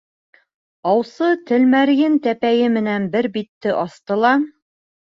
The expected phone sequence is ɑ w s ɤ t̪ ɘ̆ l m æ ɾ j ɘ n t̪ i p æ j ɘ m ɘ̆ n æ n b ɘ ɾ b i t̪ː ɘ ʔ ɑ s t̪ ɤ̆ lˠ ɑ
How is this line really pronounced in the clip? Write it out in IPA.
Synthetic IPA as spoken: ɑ w s ɤ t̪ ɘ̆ l m æ ɾ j ɘ n t̪ æ p æ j ɘ m ɘ̆ n æ n b ɘ ɾ b i t̪ː ɘ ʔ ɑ s t̪ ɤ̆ lˠ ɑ